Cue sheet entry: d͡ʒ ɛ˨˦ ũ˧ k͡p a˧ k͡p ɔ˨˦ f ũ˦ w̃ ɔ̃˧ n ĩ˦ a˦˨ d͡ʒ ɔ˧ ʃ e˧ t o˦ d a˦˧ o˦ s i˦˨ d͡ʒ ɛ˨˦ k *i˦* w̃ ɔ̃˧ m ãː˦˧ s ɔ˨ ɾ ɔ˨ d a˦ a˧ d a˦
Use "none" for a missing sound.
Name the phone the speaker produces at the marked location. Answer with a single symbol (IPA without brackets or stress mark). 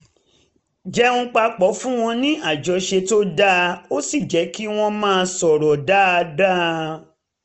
i˦